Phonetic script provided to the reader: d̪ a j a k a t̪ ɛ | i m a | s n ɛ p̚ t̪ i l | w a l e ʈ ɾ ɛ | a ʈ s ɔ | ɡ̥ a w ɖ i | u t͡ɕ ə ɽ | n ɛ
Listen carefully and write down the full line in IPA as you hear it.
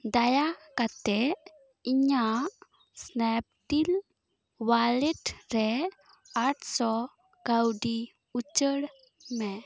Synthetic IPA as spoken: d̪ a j a k a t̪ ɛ | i ɲ a | s n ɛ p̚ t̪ i l | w a l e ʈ ɾ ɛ | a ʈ s ɔ | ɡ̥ a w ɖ i | u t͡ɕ ə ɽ | m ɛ